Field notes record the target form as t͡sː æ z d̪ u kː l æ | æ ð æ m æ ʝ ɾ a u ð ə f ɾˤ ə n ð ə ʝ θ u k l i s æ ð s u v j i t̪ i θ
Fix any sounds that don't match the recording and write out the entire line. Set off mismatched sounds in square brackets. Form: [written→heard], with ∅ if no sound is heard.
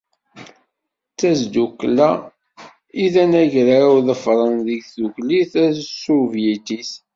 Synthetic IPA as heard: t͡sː æ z d̪ u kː l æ | [æ→i] ð æ [m→n] æ ʝ ɾ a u ð ə f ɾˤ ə n ð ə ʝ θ u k l i [s→θ] æ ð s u v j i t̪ i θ